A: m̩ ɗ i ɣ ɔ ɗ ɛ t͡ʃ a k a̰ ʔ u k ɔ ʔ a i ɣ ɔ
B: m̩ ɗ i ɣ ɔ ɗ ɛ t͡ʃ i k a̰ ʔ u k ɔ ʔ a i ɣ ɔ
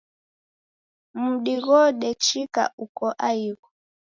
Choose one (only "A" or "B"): B